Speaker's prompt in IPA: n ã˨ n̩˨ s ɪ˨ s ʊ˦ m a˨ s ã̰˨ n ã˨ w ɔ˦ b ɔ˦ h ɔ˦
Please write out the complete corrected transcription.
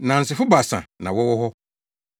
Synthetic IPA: n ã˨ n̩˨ s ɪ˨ f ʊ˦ b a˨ s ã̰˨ n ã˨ w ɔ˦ w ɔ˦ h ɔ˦